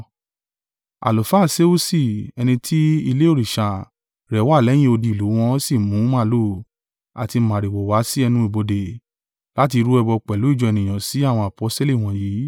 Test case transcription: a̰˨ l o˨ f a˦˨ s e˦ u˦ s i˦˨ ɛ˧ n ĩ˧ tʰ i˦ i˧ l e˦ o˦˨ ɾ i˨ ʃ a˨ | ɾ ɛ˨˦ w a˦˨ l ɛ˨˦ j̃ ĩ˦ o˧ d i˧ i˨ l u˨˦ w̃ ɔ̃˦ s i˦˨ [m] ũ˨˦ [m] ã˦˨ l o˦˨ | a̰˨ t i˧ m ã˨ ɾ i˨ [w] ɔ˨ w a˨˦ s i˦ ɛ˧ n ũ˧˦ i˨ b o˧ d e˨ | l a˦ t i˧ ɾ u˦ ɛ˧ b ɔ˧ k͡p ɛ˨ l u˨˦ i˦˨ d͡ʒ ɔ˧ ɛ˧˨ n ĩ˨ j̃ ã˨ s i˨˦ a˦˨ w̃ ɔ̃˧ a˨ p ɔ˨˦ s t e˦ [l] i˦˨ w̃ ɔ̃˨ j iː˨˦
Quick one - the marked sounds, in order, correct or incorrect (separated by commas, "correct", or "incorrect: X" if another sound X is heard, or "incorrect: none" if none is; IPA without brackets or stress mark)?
correct, correct, correct, correct